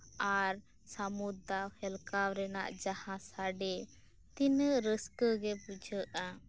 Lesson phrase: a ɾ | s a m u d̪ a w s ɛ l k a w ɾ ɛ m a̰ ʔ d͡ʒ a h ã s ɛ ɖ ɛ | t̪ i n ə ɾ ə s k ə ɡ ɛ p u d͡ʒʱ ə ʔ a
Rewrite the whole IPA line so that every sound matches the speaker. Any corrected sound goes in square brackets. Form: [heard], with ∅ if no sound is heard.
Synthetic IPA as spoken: a ɾ | s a m u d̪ a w [h] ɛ l k a w ɾ ɛ [n] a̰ ʔ d͡ʒ a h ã s [a] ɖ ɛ | t̪ i n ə ɾ ə s k ə ɡ ɛ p u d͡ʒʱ ə ʔ a